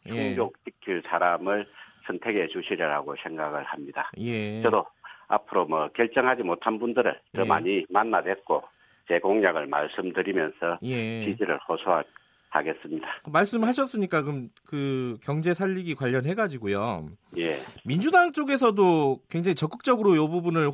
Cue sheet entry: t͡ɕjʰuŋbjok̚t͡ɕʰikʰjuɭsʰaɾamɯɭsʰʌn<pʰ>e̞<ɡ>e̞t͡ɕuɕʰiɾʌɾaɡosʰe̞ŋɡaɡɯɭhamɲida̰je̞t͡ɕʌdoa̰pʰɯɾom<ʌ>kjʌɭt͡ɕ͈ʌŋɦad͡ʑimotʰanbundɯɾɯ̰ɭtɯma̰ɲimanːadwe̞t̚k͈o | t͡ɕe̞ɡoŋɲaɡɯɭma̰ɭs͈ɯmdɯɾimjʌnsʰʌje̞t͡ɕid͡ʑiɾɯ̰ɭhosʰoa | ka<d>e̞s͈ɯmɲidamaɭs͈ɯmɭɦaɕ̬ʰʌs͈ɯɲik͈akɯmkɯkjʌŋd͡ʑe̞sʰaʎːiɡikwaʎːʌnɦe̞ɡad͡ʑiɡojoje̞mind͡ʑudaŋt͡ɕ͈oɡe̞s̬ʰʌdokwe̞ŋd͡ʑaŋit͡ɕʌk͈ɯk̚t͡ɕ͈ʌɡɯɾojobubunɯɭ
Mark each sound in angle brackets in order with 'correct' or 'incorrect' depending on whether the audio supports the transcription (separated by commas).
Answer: incorrect, correct, correct, incorrect